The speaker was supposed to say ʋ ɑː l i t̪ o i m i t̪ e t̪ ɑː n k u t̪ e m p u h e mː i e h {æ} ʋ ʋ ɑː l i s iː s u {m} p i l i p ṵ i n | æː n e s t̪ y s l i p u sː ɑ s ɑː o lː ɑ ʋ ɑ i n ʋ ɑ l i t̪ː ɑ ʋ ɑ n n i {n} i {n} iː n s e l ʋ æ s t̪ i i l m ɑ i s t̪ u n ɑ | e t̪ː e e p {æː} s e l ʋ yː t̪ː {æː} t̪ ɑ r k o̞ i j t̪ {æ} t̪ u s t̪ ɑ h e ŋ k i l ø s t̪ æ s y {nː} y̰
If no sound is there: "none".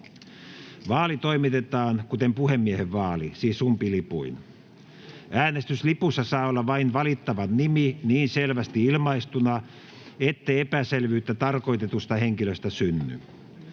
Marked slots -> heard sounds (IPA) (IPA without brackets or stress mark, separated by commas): e, m, m, n, æ, æ, e, nː